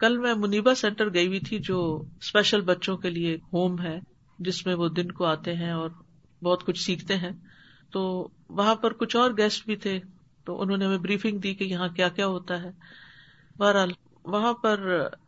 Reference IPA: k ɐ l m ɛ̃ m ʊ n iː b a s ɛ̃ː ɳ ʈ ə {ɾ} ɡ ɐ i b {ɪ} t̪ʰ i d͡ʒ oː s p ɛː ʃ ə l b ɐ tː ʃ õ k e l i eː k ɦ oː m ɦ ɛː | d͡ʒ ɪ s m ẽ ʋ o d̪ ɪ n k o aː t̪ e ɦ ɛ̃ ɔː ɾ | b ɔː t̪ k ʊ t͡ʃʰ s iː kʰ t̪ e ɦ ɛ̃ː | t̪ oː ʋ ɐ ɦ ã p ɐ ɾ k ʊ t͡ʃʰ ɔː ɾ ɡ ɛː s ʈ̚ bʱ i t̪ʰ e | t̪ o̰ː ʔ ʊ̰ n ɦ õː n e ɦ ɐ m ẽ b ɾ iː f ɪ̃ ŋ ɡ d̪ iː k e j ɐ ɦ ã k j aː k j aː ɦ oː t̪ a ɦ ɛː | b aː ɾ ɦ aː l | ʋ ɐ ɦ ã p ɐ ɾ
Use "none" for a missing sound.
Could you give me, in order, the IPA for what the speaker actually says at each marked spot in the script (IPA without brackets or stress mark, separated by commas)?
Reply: ɾ, i